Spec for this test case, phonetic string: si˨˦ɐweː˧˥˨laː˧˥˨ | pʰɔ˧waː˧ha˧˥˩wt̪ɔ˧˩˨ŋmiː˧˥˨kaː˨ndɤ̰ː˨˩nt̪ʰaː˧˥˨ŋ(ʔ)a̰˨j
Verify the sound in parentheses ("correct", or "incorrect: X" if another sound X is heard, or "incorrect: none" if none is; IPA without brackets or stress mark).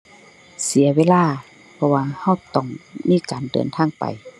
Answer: incorrect: p